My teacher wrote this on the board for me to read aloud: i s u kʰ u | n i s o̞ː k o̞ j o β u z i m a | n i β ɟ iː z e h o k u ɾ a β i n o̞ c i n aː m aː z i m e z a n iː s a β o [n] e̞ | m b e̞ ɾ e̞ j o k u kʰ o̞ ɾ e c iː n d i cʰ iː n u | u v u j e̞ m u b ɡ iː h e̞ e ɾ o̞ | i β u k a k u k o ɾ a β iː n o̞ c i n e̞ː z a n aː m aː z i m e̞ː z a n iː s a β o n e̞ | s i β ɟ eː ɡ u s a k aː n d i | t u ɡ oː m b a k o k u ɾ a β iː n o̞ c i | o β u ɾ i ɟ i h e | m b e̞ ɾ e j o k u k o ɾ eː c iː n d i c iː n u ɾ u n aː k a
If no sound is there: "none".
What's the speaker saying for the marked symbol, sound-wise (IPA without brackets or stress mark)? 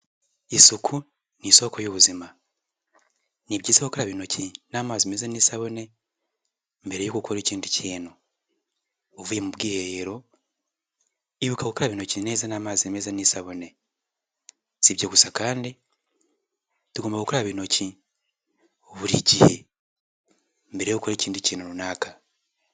n